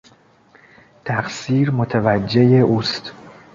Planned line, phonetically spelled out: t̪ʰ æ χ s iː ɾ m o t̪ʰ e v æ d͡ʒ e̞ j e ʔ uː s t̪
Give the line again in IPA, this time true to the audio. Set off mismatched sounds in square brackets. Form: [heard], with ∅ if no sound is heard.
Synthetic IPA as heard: t̪ʰ æ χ s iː ɾ m o t̪ʰ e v æ [d͡ʒː] e̞ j e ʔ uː s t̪